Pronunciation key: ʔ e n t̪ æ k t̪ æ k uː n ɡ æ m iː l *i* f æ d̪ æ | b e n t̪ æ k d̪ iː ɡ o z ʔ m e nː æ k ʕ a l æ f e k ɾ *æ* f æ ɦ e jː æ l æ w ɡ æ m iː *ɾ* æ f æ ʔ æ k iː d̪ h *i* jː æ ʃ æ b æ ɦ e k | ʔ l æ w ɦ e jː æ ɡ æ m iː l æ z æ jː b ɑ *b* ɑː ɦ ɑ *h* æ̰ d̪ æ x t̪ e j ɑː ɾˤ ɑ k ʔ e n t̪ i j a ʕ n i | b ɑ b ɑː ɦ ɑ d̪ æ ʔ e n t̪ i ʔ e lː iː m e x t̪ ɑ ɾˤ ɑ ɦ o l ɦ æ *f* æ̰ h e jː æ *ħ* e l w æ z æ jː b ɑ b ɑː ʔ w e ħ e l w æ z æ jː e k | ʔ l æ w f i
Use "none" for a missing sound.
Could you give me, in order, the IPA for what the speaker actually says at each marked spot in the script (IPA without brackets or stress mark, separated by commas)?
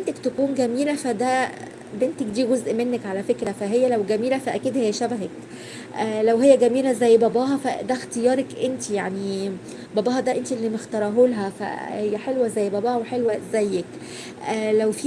æ, æ, l, e, b, f, f, ħ